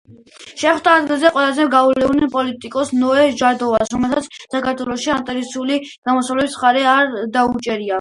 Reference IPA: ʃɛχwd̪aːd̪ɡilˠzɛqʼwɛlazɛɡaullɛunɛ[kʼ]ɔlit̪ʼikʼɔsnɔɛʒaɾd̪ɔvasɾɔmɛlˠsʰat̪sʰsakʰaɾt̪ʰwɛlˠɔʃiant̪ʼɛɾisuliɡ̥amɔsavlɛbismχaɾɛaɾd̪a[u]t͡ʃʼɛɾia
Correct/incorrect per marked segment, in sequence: incorrect, correct

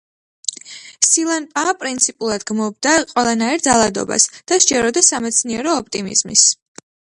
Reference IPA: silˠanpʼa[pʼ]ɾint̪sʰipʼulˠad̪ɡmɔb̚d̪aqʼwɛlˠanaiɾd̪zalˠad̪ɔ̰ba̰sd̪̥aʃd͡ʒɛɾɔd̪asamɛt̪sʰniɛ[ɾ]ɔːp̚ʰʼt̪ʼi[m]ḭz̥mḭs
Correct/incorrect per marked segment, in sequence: correct, correct, correct

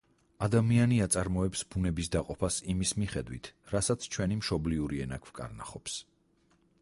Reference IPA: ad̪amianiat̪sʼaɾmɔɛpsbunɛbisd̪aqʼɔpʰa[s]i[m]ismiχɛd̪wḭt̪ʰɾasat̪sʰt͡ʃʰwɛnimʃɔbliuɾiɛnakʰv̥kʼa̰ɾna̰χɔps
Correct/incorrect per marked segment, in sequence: correct, correct

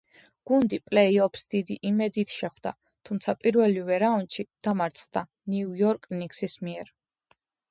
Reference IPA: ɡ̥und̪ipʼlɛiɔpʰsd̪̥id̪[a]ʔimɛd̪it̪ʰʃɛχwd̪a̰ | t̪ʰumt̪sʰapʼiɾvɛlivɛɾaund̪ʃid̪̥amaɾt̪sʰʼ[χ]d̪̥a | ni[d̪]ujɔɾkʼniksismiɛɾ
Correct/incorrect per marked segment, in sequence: incorrect, correct, incorrect

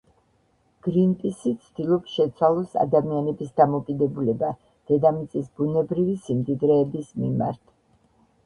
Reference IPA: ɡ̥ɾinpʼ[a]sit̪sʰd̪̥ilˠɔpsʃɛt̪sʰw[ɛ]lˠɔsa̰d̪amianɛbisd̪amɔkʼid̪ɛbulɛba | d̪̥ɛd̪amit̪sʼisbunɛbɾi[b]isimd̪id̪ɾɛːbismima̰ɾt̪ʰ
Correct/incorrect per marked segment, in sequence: incorrect, incorrect, incorrect

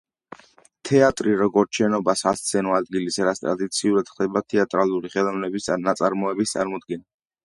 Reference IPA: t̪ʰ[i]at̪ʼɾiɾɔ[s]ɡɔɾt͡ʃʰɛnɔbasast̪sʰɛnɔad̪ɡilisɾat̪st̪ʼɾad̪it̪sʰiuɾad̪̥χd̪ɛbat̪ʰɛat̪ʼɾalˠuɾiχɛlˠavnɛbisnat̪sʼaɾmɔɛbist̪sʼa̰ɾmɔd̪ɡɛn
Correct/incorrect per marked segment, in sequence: incorrect, incorrect

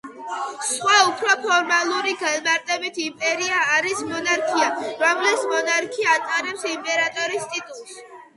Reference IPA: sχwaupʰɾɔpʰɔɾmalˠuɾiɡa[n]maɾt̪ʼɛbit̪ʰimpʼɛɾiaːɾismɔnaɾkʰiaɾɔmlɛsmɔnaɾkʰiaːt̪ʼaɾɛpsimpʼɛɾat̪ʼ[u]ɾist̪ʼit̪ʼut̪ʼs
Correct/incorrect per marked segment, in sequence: correct, incorrect

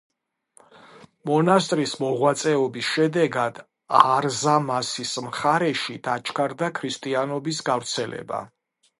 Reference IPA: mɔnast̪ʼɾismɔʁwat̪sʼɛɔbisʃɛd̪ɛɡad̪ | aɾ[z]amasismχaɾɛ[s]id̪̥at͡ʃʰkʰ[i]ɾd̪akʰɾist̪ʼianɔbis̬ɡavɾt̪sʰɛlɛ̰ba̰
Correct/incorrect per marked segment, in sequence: correct, incorrect, incorrect

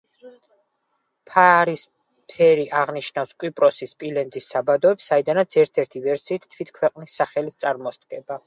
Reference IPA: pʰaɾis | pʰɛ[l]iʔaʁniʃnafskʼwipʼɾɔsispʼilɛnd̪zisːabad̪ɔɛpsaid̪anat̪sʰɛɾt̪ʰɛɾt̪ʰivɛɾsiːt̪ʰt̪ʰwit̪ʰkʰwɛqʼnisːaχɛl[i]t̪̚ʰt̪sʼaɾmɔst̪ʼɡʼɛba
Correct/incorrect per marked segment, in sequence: incorrect, correct

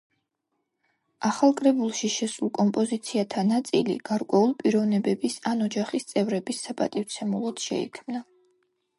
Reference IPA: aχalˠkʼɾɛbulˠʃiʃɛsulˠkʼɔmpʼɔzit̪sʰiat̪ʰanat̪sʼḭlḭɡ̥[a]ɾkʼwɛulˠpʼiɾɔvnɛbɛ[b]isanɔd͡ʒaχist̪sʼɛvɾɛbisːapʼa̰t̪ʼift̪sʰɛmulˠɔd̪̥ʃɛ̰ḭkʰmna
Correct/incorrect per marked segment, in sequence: correct, correct

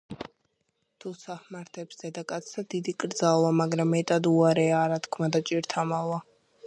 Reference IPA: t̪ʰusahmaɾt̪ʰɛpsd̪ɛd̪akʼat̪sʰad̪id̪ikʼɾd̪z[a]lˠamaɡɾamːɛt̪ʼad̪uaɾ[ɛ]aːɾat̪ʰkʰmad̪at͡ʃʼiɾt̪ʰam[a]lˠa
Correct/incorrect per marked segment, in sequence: correct, correct, correct

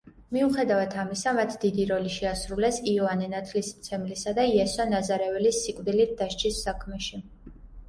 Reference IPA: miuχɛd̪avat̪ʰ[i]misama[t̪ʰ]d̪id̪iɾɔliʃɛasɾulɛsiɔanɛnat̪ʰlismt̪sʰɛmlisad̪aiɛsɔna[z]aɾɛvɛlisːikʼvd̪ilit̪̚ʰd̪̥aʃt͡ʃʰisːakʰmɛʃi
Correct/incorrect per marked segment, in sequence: incorrect, correct, correct

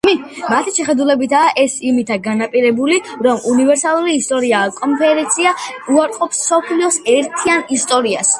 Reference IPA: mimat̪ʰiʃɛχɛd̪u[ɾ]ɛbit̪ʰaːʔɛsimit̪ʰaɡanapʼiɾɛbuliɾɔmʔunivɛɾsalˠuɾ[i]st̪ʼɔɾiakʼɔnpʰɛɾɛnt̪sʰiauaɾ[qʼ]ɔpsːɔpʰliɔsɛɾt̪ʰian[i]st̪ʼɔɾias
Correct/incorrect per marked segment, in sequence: incorrect, incorrect, correct, correct

